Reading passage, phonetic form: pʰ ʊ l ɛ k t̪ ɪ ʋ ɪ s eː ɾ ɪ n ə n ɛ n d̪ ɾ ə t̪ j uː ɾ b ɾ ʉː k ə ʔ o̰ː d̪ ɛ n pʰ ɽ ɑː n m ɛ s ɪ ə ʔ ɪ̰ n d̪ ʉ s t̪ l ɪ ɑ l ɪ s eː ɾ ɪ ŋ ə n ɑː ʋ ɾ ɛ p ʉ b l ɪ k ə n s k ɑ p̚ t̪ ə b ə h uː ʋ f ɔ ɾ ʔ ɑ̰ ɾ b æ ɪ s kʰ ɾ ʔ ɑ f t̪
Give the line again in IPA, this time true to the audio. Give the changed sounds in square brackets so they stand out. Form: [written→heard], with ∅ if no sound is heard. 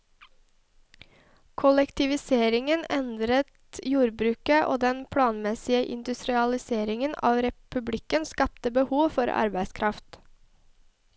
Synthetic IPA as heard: [pʰ→kʰ] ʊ l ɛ k t̪ ɪ ʋ ɪ s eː ɾ ɪ [n→ŋ] ə n ɛ n d̪ ɾ ə t̪ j uː ɾ b ɾ ʉː k ə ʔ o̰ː d̪ ɛ n pʰ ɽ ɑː n m ɛ s ɪ ə ʔ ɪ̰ n d̪ ʉ s t̪ [l→ɾ] ɪ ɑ l ɪ s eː ɾ ɪ ŋ ə n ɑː ʋ ɾ ɛ p ʉ b l ɪ k ə n s k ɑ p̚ t̪ ə b ə h uː ʋ f ɔ ɾ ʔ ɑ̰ ɾ b æ ɪ s kʰ ɾ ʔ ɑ f t̪